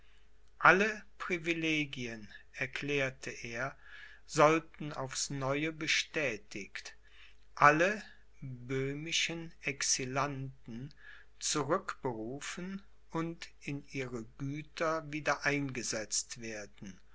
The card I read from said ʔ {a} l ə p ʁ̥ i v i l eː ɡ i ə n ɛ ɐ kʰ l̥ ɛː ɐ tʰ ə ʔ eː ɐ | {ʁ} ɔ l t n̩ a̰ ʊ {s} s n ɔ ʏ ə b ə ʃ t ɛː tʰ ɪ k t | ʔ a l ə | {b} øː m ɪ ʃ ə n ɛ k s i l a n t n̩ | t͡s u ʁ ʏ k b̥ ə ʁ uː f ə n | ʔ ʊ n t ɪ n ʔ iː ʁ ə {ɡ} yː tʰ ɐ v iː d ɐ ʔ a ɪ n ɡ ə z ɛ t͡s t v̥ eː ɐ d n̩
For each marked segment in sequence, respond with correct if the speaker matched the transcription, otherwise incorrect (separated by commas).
correct, incorrect, incorrect, correct, correct